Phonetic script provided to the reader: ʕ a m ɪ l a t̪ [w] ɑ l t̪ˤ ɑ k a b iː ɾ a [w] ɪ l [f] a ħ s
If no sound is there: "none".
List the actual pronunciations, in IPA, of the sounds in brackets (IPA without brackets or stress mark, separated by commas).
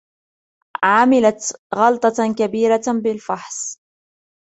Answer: ɣ, b, f